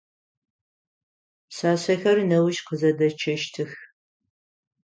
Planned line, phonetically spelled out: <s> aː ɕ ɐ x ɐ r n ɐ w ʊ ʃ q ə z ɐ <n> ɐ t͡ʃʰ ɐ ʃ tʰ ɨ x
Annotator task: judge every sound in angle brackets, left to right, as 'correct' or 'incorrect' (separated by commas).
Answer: correct, incorrect